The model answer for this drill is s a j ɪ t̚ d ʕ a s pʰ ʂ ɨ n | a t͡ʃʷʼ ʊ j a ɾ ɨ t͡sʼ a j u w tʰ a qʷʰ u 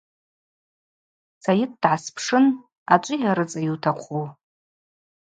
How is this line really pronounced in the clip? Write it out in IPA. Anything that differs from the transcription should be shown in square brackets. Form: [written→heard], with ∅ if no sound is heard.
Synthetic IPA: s a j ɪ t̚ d ʕ a s pʰ ʂ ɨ n | a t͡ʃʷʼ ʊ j a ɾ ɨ t͡sʼ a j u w tʰ a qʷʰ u